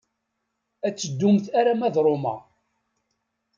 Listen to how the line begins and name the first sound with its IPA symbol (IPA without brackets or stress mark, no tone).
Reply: æ